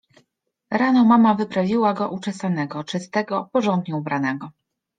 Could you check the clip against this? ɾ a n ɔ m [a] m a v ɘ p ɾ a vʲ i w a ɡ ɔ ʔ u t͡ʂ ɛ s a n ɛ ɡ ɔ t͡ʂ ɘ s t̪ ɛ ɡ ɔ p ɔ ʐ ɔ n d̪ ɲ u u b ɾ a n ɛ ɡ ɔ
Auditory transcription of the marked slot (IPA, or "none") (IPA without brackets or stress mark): a